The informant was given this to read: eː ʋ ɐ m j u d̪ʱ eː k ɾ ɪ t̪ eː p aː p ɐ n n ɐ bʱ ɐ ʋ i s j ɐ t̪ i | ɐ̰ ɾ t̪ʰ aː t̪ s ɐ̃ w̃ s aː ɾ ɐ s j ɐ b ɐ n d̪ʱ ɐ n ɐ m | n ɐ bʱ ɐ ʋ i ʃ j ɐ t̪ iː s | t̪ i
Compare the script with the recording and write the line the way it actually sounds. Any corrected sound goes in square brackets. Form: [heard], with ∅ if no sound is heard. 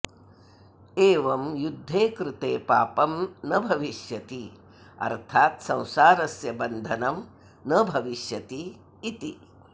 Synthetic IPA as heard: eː ʋ ɐ m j u [d̪ʱː] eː k ɾ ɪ t̪ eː p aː p ɐ [m] n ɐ bʱ ɐ ʋ i [ʃ] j ɐ t̪ i | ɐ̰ ɾ t̪ʰ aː t̪ s ɐ̃ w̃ s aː ɾ ɐ s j ɐ b ɐ n d̪ʱ ɐ n ɐ m | n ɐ bʱ ɐ ʋ i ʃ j ɐ t̪ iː [∅] | t̪ i